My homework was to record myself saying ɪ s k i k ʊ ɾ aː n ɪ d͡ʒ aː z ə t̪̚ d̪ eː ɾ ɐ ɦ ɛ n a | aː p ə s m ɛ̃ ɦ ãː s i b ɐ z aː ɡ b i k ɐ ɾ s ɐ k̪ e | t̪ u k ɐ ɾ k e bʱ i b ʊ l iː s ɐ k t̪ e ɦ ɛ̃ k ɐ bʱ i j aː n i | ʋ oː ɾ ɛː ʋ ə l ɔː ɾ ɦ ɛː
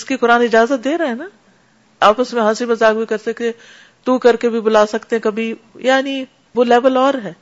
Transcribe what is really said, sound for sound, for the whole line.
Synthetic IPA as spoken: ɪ s k i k ʊ ɾ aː n ɪ d͡ʒ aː z ə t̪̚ d̪ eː ɾ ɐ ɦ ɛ n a | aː p ə s m ẽ ɦ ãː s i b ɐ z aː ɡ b i k ɐ ɾ s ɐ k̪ e | t̪ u k ɐ ɾ k e bʱ i b ʊ l aː s ɐ k t̪ e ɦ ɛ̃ k ɐ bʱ i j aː n i | ʋ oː l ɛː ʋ ə l ɔː ɾ ɦ ɛː